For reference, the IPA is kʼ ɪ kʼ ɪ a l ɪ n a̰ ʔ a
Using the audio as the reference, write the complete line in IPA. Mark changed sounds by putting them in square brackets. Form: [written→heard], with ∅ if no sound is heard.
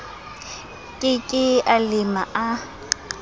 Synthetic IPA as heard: kʼ ɪ kʼ ɪ a l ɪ [n→m] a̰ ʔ a

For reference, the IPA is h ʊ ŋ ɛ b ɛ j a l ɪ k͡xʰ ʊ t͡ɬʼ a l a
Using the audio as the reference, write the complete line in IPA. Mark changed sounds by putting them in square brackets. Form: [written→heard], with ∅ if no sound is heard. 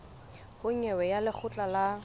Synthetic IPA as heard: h ʊ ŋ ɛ [b→w] ɛ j a l ɪ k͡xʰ ʊ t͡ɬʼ a l a

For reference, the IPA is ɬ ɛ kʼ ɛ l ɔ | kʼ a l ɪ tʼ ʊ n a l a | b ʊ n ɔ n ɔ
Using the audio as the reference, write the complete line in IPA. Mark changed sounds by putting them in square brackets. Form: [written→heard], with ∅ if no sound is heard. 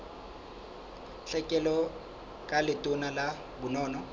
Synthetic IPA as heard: ɬ ɛ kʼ ɛ l ɔ | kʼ a l ɪ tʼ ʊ n a l a | b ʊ n [ɔ→ɔː] n ɔ

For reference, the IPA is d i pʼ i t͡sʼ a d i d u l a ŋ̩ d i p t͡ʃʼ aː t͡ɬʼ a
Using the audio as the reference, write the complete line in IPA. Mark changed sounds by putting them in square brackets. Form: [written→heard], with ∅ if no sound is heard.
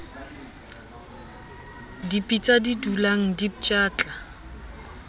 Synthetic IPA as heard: d i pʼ i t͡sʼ a d i d u l a ŋ̩ d i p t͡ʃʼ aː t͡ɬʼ a

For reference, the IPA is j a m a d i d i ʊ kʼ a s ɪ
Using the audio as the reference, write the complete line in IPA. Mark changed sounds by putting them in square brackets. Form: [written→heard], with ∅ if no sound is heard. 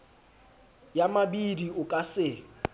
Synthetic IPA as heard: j a m a [d→b] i d i ʊ kʼ a s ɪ

